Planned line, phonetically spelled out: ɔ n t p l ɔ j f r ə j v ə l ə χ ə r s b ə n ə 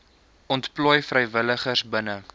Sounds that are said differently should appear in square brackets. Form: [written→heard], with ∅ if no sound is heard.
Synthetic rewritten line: ɔ n t p l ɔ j f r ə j v ə l ə χ ə r s b ə n ə